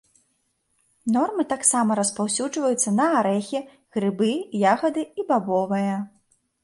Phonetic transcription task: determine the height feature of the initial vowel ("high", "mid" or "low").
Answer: mid